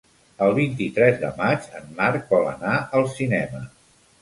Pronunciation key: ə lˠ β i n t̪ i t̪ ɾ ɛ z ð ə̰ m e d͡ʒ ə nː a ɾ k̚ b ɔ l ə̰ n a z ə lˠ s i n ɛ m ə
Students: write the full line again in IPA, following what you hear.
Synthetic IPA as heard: ə lˠ β i n t̪ i t̪ ɾ ɛ z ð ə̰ m a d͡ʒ ə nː a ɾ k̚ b ɔ l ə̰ n a ə lˠ s i n ɛ m ə

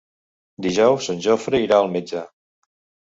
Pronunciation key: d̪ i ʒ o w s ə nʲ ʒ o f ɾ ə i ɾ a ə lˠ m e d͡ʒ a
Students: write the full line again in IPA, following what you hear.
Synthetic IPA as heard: d̪ i ʒ ɔ w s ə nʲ ʒ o f ɾ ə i ɾ a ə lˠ m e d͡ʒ a

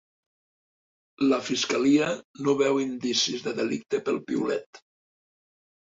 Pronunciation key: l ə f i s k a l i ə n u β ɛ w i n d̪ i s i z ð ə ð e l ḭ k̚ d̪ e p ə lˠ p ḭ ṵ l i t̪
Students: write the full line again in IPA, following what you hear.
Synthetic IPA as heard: l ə f i s k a l i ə n o β ɛ w i n d̪ i s i z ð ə ð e l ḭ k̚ t̪ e p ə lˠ p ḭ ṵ l ɛ t̪

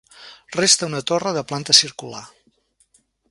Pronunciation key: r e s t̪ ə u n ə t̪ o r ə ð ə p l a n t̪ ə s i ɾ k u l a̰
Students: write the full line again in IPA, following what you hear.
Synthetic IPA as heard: r e s t̪ ə u n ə t̪ o r ə ð ə p l a n t̪ ə s i ɾ k u l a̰

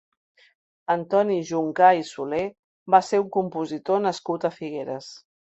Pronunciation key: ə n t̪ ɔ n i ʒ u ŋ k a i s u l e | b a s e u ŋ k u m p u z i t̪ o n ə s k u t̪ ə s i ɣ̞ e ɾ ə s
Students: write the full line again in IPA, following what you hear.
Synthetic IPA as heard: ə n t̪ ɔ n i ʒ u ŋ k a i s u l e | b a s e u ŋ k u m p u z i t̪ o n ə s k u t̪ ə f i ɣ̞ e ɾ ə s

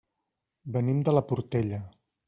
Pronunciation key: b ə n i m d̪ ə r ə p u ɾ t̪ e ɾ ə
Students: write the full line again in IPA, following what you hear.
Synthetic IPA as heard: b ə n i m d̪ ə l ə p u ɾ t̪ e ʎ ə

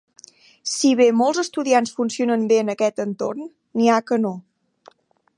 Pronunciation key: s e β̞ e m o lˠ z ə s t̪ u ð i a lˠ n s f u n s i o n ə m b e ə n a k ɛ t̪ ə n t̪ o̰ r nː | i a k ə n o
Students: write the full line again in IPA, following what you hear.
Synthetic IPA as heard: s i β̞ e m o lˠ z ə s t̪ u ð i a n s f u n s i o n ə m b e ə n ə k ɛ t̪ ə n t̪ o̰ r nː | i a k ə n o

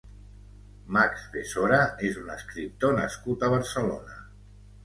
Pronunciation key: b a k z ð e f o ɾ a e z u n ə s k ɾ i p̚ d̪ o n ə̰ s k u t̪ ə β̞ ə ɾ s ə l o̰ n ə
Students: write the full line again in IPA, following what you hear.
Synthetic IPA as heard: m a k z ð e s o ɾ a e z u n ə s k ɾ i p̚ t̪ o n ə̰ s k u t̪ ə β̞ ə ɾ s ə l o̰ n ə

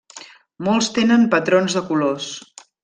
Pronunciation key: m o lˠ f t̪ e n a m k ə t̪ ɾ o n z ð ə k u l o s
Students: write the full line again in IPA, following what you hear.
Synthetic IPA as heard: m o lˠ s t̪ e n ə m p ə t̪ ɾ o n z ð ə k u l o s

